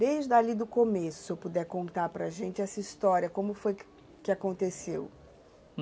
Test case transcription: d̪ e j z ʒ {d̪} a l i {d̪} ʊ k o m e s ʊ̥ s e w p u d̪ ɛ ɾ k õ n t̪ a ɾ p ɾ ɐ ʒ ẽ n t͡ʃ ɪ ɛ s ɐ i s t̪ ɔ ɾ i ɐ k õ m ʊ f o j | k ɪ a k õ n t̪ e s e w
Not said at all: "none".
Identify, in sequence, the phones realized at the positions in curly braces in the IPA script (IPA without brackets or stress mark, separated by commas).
d̪, d̪